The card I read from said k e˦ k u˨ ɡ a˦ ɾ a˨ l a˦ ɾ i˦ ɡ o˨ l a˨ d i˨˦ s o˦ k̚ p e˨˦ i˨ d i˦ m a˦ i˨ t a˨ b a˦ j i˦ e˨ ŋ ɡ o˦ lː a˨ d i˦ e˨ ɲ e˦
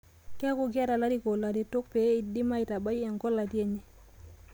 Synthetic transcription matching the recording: k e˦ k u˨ ɡ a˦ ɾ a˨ l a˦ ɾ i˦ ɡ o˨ l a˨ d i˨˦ t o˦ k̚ p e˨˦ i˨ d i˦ m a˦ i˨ t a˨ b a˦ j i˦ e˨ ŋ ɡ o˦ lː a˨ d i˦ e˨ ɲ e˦